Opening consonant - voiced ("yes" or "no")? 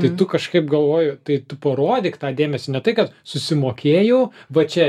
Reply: no